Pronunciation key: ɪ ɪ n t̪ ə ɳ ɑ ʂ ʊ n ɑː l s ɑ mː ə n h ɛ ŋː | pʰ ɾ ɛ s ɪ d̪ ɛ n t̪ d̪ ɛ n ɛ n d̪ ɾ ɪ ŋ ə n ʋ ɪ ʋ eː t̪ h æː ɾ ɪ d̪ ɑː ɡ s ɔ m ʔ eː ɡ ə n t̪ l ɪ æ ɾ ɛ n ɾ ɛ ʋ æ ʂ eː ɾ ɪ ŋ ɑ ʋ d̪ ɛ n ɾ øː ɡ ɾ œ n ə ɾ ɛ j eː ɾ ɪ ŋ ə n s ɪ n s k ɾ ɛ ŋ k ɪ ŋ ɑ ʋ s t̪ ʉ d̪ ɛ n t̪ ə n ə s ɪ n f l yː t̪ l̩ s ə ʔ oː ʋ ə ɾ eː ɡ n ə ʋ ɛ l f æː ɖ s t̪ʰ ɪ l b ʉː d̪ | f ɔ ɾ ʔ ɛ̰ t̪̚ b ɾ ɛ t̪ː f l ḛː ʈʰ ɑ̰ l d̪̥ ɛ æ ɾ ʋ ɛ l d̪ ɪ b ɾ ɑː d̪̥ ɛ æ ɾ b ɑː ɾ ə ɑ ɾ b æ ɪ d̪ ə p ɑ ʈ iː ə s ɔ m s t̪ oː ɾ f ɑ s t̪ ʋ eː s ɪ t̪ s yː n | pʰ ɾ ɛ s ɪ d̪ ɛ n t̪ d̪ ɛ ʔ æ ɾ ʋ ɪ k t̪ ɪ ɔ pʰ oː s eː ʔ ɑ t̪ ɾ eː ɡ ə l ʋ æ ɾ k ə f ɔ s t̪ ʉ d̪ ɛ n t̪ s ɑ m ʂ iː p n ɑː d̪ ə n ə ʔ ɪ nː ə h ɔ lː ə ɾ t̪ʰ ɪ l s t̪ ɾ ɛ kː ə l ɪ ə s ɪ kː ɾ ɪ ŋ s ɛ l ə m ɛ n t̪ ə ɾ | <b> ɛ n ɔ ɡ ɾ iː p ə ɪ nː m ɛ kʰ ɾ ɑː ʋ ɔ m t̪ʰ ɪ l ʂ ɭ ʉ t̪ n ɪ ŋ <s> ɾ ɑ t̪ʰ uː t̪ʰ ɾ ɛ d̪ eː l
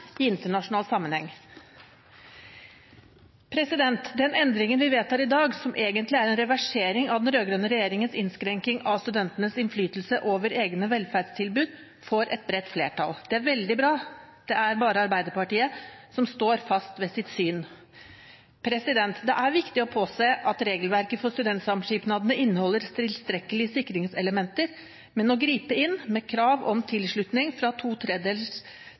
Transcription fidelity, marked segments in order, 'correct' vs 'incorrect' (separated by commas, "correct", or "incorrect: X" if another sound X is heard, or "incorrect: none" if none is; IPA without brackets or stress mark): incorrect: m, incorrect: f